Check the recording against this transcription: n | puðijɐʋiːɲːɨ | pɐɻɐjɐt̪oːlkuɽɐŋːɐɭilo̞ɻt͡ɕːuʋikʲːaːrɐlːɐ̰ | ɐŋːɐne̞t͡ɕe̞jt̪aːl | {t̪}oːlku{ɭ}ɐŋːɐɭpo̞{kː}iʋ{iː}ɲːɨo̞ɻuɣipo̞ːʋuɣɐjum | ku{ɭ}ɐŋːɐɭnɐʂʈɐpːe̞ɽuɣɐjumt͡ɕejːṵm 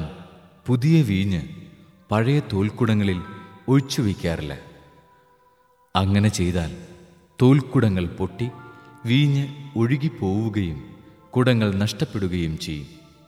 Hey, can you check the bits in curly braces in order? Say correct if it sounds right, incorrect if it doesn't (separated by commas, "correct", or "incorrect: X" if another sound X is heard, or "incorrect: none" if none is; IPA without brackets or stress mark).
correct, incorrect: ɽ, incorrect: ʈː, correct, incorrect: ɽ